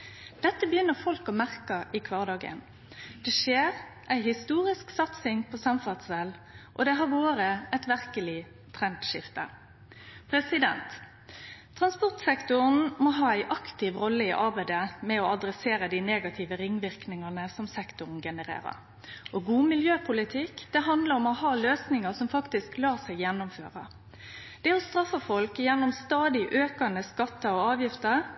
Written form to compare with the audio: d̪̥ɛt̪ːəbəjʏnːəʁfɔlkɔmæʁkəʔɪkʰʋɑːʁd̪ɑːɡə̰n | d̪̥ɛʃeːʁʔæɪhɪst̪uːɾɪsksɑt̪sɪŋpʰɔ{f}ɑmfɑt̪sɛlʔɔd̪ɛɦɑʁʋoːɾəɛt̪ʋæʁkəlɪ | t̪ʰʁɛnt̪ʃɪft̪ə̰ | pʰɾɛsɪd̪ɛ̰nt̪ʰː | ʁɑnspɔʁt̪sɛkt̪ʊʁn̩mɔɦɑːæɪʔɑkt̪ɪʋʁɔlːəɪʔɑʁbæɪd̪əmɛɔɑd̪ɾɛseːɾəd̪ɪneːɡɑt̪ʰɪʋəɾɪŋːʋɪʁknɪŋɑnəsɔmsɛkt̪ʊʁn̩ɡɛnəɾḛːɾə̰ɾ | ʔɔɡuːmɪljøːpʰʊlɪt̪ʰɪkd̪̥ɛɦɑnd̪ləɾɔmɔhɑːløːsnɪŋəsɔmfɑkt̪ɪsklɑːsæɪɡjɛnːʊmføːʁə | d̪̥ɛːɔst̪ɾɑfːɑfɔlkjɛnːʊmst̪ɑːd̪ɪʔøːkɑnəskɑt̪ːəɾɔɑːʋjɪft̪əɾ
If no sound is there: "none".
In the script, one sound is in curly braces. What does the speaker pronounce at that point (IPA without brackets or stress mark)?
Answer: s